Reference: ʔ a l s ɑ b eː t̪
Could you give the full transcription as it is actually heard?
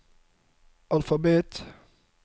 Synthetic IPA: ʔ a l f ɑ b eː t̪